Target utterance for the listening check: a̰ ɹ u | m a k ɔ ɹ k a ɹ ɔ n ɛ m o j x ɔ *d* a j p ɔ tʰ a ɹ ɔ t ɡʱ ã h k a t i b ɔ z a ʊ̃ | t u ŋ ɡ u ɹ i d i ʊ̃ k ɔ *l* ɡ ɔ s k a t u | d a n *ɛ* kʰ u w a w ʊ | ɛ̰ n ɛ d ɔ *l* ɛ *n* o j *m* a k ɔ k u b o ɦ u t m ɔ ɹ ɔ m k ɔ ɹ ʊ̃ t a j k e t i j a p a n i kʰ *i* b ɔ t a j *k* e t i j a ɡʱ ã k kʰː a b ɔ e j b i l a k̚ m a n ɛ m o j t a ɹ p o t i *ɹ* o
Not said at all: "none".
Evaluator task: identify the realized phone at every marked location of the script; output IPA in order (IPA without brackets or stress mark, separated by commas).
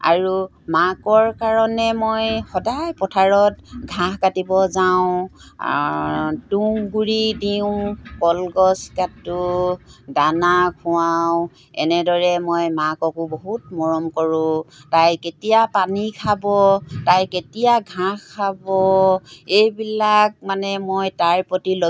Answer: d, l, a, ɹ, m, m, a, k, l